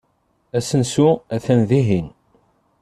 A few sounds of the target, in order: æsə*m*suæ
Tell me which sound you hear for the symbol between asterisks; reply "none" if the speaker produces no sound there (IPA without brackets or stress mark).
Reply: n